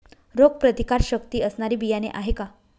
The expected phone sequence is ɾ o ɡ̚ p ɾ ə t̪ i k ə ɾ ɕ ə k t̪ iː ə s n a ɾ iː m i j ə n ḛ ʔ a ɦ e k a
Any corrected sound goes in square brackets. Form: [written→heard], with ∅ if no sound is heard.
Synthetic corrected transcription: ɾ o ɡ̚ p ɾ ə t̪ i k [ə→a] ɾ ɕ ə k t̪ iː ə s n a ɾ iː [m→b] i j [ə→a] n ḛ ʔ a ɦ e k a